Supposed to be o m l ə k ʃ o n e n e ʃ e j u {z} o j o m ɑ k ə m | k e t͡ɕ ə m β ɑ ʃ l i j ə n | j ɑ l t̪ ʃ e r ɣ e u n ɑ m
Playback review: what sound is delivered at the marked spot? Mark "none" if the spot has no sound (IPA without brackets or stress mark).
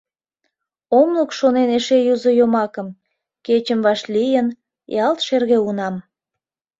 z